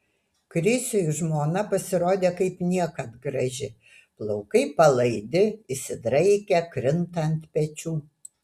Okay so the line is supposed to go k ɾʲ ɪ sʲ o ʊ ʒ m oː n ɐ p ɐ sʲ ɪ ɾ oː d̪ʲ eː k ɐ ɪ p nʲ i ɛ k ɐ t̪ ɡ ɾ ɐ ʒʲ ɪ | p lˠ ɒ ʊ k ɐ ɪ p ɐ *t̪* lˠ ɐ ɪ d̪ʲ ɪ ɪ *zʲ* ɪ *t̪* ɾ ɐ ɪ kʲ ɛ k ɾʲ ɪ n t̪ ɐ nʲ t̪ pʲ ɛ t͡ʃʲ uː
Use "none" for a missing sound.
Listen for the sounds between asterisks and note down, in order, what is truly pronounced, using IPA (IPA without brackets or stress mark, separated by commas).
none, sʲ, d̪